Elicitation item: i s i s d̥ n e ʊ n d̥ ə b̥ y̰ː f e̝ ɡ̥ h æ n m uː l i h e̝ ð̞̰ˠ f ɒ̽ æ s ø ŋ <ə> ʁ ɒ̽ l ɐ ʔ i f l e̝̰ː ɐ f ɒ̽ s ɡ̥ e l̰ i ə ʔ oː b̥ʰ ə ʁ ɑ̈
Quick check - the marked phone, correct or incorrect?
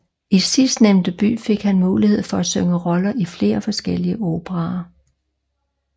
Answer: correct